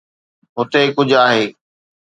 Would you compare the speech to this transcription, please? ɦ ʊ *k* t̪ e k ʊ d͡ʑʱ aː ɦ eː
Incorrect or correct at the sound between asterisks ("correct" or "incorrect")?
incorrect